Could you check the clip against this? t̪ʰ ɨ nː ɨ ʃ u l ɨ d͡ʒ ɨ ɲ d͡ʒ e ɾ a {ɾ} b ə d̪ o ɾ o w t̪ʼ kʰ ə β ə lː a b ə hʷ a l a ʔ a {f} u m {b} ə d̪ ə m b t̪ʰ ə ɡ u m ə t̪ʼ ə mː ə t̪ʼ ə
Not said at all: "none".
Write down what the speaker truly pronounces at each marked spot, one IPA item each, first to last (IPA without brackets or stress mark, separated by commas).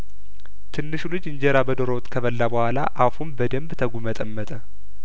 none, f, b